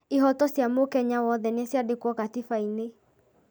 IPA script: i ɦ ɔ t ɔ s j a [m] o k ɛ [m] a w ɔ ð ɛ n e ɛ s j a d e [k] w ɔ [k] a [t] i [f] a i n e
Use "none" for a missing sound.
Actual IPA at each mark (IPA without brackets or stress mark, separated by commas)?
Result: m, ɲ, k, k, t, f